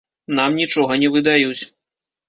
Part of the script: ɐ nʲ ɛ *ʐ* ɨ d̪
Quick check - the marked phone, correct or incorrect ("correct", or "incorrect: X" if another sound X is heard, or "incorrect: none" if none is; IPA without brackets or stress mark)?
incorrect: v